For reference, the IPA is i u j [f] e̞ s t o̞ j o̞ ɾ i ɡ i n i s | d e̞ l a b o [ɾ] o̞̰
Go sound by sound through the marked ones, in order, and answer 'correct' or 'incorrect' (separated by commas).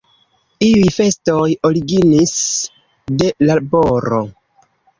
correct, correct